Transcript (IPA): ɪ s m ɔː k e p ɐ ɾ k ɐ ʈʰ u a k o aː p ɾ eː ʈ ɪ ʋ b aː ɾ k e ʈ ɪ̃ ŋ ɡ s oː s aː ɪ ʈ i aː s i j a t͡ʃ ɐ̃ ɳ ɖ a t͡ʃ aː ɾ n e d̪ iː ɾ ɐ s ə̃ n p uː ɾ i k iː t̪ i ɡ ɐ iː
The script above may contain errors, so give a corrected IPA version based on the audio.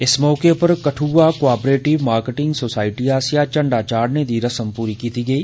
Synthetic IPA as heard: ɪ s m ɔː k e p ɐ ɾ k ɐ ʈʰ u a k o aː p ɾ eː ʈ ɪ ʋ m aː ɾ k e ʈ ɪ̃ ŋ ɡ s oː s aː ɪ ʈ i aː s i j a t͡ʃ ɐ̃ ɳ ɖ a t͡ʃ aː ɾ n e d̪ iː ɾ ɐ s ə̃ m p uː ɾ i k iː t̪ i ɡ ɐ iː